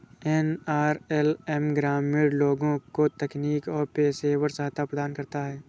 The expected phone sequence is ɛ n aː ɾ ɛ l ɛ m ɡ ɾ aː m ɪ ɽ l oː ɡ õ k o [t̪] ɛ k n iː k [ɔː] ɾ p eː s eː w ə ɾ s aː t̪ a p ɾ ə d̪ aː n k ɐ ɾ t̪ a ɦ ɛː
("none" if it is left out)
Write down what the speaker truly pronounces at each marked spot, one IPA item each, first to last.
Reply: t̪, ɔː

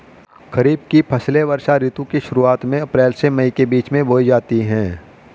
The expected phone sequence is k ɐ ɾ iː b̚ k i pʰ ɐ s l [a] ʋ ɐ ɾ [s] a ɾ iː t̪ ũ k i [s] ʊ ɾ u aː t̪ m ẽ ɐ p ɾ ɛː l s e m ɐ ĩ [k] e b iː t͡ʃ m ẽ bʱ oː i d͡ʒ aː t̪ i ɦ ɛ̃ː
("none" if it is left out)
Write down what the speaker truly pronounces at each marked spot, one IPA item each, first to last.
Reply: e, ʃ, ʃ, k

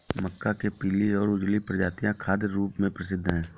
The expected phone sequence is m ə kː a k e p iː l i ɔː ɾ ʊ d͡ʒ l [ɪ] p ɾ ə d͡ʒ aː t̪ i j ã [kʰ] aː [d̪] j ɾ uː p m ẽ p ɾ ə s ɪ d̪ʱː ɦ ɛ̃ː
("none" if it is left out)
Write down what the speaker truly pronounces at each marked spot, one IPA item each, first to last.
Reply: i, kʰ, d̪

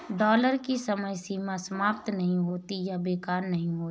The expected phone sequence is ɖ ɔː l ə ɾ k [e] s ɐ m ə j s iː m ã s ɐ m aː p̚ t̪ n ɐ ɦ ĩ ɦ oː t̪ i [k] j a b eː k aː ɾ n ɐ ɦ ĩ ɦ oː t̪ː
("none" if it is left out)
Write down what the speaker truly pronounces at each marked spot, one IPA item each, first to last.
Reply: i, none

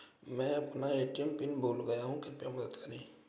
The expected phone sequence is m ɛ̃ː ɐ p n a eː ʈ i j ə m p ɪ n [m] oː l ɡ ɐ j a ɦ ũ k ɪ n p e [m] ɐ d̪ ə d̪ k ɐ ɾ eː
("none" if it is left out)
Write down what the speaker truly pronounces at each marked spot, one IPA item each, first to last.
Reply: b, m

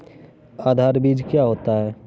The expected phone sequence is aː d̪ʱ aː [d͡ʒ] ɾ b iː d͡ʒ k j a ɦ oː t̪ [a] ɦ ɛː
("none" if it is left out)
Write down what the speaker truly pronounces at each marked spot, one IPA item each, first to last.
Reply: none, a

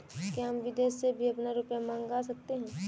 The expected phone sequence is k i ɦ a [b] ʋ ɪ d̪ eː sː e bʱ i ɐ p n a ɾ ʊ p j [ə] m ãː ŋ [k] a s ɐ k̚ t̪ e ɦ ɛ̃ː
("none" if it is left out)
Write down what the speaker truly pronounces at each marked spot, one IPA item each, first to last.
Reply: m, a, ɡ

